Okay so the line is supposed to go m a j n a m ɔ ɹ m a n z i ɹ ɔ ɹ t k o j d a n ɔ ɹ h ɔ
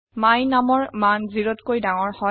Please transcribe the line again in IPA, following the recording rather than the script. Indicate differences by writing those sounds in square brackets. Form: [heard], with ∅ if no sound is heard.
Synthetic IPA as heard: m a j n a m ɔ ɹ m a n z i ɹ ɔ [∅] t k o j d a [ŋ] ɔ ɹ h ɔ